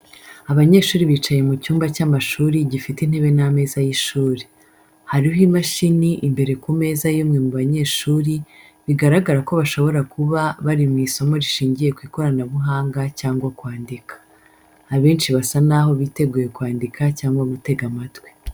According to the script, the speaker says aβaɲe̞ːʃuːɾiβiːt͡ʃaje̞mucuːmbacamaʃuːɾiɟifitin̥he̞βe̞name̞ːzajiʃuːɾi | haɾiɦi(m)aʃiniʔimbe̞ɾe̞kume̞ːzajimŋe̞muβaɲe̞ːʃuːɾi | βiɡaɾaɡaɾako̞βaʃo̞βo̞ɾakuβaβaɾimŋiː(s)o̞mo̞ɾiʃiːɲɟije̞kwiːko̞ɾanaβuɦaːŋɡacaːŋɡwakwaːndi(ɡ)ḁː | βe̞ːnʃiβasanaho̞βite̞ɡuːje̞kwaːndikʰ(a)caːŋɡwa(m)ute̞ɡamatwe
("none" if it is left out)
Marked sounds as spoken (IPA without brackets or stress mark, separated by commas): m, s, k, a, m